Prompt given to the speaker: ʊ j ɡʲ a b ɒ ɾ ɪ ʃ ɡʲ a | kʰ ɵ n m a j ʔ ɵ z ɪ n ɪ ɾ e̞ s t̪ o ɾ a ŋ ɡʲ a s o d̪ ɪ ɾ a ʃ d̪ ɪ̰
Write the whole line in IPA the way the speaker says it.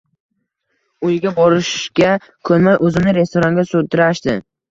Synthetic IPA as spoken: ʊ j ɡʲ a b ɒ ɾ ɪ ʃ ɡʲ a | kʰ ɵ n m a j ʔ ɵ z ɪ n ɪ ɾ e̞ s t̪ o ɾ a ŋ ɡʲ a s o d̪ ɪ ɾ a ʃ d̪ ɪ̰

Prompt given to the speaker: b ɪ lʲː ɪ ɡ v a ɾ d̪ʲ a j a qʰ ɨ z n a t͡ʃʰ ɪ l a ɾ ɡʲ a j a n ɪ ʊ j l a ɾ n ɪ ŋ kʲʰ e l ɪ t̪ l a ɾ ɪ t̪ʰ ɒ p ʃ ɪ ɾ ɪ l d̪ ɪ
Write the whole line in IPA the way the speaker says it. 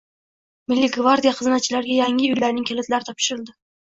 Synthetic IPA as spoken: m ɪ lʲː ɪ ɡ v a ɾ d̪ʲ i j a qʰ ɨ z n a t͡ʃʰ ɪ l a ɾ ɡʲ a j a ŋ ɪ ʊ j l a ɾ n ɪ ŋ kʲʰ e l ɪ t̪ l a ɾ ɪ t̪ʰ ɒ p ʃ ɪ ɾ ɪ l d̪ ɪ

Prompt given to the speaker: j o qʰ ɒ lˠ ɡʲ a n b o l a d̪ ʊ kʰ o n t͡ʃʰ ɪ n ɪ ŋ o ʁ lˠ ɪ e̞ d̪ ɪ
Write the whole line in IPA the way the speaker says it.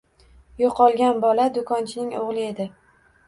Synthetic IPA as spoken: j o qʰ ɒ lˠ ɡʲ a n b ɒ l a d̪ ʊ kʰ ɒ n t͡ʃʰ ɪ n ɪ ŋ o ʁ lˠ ɪ e̞ d̪ ɪ

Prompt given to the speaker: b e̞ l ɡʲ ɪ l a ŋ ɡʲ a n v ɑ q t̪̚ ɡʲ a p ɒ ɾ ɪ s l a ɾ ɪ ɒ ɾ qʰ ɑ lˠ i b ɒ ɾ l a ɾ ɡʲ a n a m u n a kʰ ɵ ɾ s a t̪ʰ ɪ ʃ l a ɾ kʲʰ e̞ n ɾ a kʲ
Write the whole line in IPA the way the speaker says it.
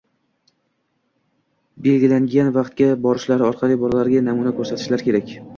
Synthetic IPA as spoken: b e̞ l ɡʲ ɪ l a ŋ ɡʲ a n v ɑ q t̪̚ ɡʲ a b ɒ ɾ ɪ ʃ l a ɾ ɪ ɒ ɾ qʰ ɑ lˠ i b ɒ ɾ l a ɾ ɡʲ a n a m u n a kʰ ɵ ɾ s a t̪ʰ ɪ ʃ l a ɾ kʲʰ e̞ ɾ a kʲ

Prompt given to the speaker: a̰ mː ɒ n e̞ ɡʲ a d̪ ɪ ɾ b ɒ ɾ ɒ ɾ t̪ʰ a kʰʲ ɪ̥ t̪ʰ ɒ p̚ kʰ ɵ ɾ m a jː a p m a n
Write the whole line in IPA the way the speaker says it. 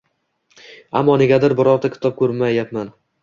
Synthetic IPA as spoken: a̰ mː ɒ n e̞ ɡʲ a d̪ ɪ ɾ b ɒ ɾ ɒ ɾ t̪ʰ a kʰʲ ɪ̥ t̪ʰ ɒ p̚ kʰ ɵ ɾ m a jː a p m a n

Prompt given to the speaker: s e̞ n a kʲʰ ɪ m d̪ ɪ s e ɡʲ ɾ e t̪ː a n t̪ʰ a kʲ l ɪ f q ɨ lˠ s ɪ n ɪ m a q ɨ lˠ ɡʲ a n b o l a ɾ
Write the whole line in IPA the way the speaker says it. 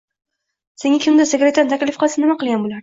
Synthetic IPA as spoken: s e̞ ŋ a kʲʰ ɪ m d̪ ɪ s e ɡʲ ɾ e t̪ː a n t̪ʰ a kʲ l ɪ f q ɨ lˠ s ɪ n ɪ m a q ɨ lˠ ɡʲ a n b o l a ɾ

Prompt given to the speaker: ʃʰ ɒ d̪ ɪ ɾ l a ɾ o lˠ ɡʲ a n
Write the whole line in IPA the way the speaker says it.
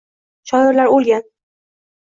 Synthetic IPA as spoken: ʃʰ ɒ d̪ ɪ ɾ l a ɾ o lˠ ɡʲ a n

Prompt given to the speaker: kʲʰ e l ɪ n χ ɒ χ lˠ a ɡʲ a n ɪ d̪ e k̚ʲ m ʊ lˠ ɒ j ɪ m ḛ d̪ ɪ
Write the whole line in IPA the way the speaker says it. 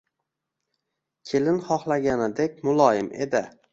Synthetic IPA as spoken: kʲʰ e l ɪ n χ ɒ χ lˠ a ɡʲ a n ɪ d̪ e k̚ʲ m ʊ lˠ ɒ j ɪ m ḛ d̪ ɪ

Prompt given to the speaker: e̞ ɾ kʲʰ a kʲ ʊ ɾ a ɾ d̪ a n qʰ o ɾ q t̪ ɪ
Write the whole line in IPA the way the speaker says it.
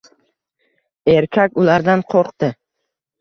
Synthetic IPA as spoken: e̞ ɾ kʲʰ a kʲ ʊ l a ɾ d̪ a n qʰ o ɾ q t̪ ɪ

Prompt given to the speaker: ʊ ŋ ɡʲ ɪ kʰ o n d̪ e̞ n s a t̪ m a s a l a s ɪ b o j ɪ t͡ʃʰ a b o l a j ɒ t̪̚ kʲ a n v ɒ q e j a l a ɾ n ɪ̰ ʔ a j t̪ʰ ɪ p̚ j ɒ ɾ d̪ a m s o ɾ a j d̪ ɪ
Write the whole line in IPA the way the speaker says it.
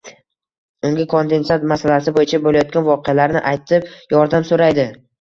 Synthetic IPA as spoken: ʊ ŋ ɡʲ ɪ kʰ o n d̪ e̞ n s a t̪ m a s a l a s ɪ b o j ɪ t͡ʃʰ a b o l a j ɒ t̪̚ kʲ a n v ɒ q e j a l a ɾ n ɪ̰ ʔ a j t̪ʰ ɪ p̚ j ɒ ɾ d̪ a m s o ɾ a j d̪ ɪ

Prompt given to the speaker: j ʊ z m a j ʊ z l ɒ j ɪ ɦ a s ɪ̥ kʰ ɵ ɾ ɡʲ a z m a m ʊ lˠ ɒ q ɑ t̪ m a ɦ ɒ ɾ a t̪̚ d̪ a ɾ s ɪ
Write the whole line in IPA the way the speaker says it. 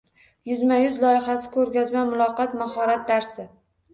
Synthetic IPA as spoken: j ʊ z m a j ʊ z l ɒ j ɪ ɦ a s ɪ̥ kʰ ɵ ɾ ɡʲ a z m a m ʊ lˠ ɒ q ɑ t̪ m a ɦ ɒ ɾ a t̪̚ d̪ a ɾ s ɪ

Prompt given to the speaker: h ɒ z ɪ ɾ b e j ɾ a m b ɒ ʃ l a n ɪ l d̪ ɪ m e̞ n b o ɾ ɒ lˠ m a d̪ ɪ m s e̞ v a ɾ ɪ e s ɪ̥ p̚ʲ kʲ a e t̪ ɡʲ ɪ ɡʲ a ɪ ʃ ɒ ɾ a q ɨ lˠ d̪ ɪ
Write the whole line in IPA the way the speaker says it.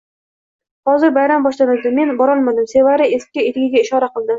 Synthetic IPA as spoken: h ɒ z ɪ ɾ b a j ɾ a m b ɒ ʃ l a n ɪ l d̪ ɪ m e̞ n b ɒ ɾ ɒ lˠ m a d̪ ɪ m s e̞ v a ɾ ɪ e s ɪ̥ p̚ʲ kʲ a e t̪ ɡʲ ɪ ɡʲ a ɪ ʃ ɒ ɾ a q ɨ lˠ d̪ ɪ

